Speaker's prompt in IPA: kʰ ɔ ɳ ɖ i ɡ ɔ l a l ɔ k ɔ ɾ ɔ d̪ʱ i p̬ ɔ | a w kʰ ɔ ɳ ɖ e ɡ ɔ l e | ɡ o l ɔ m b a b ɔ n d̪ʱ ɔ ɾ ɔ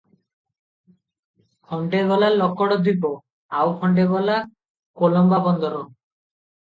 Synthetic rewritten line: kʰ ɔ ɳ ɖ e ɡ ɔ l a l ɔ k ɔ ɽ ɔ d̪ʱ i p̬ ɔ | a w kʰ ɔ ɳ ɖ e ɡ ɔ l a | k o l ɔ m b a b ɔ n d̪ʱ ɔ ɾ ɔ

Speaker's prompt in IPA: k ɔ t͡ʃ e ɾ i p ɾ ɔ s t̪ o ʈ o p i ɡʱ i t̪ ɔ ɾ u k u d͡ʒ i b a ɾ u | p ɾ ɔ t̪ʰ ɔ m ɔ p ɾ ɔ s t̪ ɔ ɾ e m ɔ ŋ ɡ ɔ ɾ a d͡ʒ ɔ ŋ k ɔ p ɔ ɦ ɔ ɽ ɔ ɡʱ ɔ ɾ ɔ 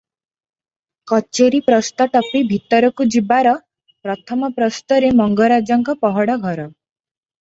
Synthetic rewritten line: k ɔ t͡ʃ e ɾ i p ɾ ɔ s t̪ ɔ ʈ ɔ p i bʱ i t̪ ɔ ɾ ɔ k u d͡ʒ i b a ɾ ɔ | p ɾ ɔ t̪ʰ ɔ m ɔ p ɾ ɔ s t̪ ɔ ɾ e m ɔ ŋ ɡ ɔ ɾ a d͡ʒ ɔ ŋ k ɔ p ɔ ɦ ɔ ɽ ɔ ɡʱ ɔ ɾ ɔ

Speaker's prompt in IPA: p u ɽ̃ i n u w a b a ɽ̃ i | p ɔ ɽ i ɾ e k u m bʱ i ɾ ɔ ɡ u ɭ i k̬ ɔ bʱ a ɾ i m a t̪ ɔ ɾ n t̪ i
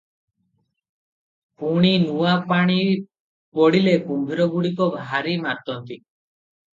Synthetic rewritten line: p u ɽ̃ i n u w a p a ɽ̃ i | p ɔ ɽ i l e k u m bʱ i ɾ ɔ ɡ u ɽ i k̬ ɔ bʱ a ɾ i m a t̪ ɔ n t̪ i

